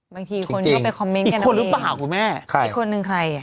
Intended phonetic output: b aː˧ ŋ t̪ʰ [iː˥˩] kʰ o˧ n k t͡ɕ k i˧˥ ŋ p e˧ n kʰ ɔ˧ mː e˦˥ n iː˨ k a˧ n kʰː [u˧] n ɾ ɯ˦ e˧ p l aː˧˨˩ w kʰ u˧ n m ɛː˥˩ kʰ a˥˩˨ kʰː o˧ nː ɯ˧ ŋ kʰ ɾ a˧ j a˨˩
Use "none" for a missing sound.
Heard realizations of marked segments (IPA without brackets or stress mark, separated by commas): iː˧, o˧